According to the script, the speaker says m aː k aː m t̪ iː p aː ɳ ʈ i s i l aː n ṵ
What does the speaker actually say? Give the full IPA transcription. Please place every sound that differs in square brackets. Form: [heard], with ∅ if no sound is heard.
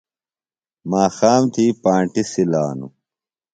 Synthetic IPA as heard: m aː [x] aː m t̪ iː p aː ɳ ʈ i s i l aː n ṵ

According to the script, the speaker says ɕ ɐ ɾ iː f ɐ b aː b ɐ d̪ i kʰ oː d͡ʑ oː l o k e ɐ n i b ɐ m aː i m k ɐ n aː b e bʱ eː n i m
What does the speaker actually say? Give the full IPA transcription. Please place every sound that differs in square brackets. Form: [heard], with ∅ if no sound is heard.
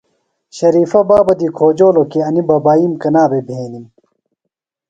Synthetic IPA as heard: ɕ ɐ ɾ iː f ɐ b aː b ɐ d̪ i kʰ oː d͡ʑ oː l o k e ɐ n i b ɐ [b] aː i m k ɐ n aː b e bʱ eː n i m

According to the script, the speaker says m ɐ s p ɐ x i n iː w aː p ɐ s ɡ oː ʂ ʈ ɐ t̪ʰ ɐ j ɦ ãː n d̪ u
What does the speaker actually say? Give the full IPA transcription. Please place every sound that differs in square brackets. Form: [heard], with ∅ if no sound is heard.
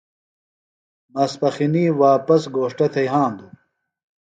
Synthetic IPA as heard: m ɐ s p ɐ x i n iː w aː p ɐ s ɡ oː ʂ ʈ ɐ t̪ʰ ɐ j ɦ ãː n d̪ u

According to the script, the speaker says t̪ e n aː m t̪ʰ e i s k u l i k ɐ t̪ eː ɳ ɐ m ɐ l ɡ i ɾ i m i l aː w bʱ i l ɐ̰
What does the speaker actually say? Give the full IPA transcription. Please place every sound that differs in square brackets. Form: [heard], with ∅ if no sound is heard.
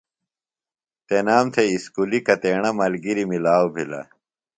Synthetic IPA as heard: t̪ e n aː m t̪ʰ e i s k u l i k ɐ t̪ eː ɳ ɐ m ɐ l ɡ i ɾ i m i l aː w bʱ i l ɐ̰

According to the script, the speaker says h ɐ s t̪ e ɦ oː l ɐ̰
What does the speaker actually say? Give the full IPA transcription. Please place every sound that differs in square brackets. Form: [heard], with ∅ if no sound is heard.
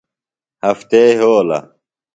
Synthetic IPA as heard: h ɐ [f] t̪ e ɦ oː l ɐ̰

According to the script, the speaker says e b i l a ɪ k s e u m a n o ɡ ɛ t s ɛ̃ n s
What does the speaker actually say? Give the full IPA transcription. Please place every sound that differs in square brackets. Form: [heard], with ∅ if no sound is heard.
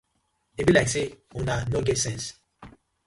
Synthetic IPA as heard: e b i l a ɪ k s e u [n] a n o ɡ ɛ t s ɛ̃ n s

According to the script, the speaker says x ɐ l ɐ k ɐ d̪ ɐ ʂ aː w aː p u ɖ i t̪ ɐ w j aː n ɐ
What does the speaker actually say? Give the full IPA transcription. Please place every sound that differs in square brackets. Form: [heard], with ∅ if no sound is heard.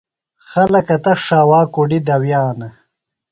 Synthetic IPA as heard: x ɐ l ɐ k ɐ [t̪] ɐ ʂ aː w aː [k] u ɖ i [d̪] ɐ w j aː n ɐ

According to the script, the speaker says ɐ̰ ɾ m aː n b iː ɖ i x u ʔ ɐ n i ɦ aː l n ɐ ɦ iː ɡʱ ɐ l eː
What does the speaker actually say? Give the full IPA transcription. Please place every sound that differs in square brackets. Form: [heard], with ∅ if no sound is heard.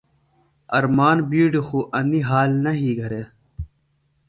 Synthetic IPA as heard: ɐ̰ ɾ m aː n b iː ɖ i x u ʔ ɐ n i ɦ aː l n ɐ ɦ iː ɡʱ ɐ [ɾ] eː

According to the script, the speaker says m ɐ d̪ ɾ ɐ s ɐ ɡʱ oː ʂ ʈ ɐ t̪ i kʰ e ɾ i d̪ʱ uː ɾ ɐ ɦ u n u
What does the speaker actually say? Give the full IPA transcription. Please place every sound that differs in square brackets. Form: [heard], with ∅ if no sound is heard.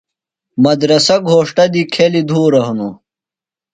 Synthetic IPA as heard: m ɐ d̪ ɾ ɐ s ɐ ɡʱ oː ʂ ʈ ɐ [d̪] i kʰ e [l] i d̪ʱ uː ɾ ɐ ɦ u n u

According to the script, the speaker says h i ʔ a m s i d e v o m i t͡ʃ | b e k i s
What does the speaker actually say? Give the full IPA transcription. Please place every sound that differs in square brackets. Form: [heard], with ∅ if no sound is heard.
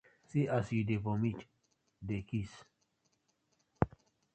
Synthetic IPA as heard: [s] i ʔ a [∅] s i d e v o m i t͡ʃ | [d] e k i s

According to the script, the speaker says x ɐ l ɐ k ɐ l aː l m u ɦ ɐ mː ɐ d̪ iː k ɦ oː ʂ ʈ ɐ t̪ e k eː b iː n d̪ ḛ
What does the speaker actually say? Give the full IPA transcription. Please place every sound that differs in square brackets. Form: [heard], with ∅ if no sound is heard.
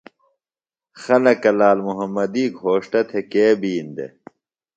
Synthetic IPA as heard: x ɐ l ɐ k ɐ l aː l m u ɦ ɐ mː ɐ d̪ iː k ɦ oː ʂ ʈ ɐ [t̪ʰ] e k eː b iː n d̪ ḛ

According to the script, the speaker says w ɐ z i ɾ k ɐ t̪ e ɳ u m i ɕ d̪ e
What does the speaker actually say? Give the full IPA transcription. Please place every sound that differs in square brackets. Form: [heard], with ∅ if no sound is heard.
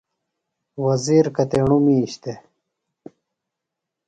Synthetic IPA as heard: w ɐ z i ɾ k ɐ t̪ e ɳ u m i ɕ [t̪] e

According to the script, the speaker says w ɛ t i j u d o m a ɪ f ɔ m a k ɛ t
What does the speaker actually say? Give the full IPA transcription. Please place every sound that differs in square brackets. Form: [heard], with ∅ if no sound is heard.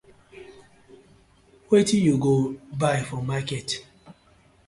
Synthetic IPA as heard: w [e] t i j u [ɡ] o [b] a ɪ f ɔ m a k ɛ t

